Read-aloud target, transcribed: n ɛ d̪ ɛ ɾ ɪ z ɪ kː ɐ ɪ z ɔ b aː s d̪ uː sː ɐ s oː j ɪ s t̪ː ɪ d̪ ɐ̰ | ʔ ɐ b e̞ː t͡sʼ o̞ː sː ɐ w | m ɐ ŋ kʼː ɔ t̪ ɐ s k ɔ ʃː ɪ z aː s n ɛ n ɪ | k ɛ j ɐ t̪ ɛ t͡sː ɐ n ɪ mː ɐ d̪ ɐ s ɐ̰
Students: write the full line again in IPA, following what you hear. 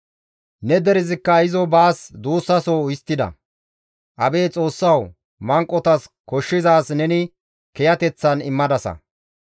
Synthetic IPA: n ɛ d̪ ɛ ɾ ɪ z ɪ kː ɐ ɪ z ɔ b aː s d̪ uː sː ɐ s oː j ɪ s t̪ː ɪ d̪ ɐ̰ | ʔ ɐ b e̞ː t͡sʼ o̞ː sː ɐ w | m ɐ ŋ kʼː ɔ t̪ ɐ s k ɔ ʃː ɪ z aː s n ɛ n ɪ | k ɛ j ɐ t̪ ɛ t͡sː ɐ n ɪ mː ɐ d̪ ɐ s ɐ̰